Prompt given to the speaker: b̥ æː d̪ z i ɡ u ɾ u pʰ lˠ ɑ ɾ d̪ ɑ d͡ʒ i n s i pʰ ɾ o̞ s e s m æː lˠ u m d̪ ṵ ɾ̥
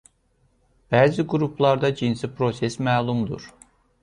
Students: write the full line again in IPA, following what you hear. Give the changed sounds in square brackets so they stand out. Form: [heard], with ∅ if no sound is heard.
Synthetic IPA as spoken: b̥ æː [∅] z i ɡ u ɾ u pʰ lˠ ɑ ɾ d̪ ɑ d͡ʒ i n s i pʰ ɾ o̞ s e s m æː lˠ u m d̪ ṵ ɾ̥